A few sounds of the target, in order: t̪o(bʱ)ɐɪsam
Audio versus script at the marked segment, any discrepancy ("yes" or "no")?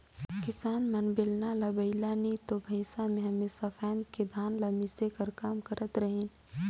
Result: no